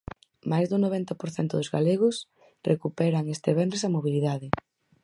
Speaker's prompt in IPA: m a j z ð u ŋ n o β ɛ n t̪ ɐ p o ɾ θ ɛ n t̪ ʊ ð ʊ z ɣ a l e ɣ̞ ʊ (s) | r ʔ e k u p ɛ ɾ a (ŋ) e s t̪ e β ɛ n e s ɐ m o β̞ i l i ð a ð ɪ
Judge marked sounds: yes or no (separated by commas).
yes, yes